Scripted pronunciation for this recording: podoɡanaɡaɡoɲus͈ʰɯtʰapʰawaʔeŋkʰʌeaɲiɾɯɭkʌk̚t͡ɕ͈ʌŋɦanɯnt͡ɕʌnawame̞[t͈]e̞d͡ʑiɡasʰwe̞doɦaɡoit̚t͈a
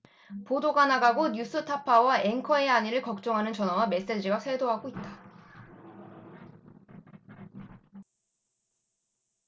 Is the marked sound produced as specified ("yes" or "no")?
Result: no